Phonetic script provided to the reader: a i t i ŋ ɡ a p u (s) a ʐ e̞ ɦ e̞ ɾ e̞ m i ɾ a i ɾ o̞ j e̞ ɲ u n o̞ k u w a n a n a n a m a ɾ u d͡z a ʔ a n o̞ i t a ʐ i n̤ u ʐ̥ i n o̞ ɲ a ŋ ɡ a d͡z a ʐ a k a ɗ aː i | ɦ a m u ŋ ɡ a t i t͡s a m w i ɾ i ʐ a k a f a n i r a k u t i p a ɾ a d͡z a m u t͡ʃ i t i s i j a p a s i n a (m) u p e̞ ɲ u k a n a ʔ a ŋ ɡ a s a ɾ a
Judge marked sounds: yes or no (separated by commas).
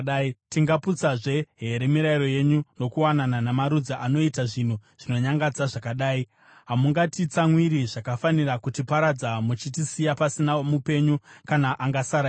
no, yes